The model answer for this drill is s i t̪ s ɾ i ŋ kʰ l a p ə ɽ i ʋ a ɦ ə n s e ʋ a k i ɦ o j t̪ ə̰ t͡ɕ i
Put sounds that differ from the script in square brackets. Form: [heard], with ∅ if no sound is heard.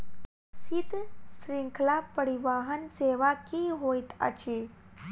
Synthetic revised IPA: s i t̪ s ɾ i ŋ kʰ l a p ə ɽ i ʋ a ɦ ə n s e ʋ a k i ɦ o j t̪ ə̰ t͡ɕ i

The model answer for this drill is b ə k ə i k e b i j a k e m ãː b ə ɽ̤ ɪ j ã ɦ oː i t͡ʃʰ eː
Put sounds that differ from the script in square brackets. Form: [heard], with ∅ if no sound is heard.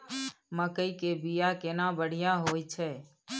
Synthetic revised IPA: [m] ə k ə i k e b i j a k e [n] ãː b ə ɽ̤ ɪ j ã ɦ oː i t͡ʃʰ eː

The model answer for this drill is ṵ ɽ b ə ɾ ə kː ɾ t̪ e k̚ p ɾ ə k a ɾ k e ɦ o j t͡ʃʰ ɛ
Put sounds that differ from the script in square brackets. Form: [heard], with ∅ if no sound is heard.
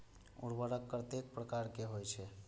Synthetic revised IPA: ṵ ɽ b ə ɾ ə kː ɾ t̪ e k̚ p ɾ ə k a ɾ k e ɦ o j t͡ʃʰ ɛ

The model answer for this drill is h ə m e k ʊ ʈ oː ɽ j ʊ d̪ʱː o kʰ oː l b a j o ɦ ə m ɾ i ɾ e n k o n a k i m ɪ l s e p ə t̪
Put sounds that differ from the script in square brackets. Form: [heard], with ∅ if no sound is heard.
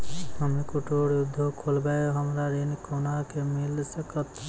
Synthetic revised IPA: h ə m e k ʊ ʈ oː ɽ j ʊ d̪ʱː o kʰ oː l b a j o ɦ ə m ɾ [a] ɾ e n k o n a k [e] m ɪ l s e [k] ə t̪

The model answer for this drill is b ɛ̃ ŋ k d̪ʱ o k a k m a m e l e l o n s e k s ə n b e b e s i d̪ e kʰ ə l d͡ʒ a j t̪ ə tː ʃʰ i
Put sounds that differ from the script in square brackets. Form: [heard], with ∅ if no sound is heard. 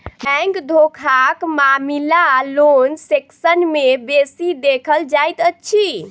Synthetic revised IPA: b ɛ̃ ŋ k d̪ʱ o [kʰ] a k m a m [i] l [a] l o n s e k s ə n [m] e b e s i d̪ e kʰ ə l d͡ʒ a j t̪ ə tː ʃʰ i

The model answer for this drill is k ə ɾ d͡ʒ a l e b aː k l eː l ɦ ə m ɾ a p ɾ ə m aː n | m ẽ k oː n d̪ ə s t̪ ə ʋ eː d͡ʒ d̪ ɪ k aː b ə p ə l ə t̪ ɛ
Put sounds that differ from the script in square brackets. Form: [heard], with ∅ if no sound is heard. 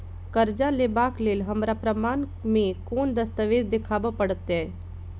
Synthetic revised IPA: k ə ɾ d͡ʒ a l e b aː k l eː l ɦ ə m ɾ a p ɾ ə m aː n | m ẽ k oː n d̪ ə s t̪ ə ʋ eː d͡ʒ d̪ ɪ [kʰ] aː b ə p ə [ɽ] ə t̪ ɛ

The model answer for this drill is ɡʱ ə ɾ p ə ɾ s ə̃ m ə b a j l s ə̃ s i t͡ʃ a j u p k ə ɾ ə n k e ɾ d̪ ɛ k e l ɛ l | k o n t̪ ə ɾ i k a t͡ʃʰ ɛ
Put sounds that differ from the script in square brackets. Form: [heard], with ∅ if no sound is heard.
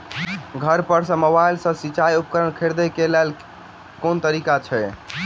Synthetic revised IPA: ɡʱ ə ɾ p ə ɾ s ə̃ m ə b a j l s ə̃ s i t͡ʃ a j u p k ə ɾ ə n [kʰ] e ɾ d̪ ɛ k e l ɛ l | k o n t̪ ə ɾ i k a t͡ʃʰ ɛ

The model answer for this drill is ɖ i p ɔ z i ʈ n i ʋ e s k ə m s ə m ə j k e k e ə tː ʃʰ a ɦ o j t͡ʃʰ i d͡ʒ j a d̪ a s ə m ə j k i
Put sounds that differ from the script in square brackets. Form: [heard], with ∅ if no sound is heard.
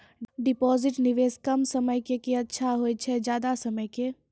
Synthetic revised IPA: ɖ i p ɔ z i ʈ n i ʋ e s k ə m s ə m ə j k e k e ə tː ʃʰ a ɦ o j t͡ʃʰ [ɛ] d͡ʒ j a d̪ a s ə m ə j k [e]

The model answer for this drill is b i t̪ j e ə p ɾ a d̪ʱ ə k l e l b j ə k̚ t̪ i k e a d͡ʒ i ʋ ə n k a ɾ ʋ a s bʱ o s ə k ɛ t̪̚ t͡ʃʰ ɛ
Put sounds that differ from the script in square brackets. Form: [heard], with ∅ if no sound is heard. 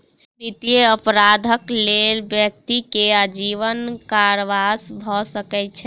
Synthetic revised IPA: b i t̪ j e ə p ɾ a d̪ʱ ə k l e l b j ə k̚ t̪ i k e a d͡ʒ i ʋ ə n k a ɾ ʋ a s bʱ [ɔ] s ə k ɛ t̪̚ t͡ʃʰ ɛ

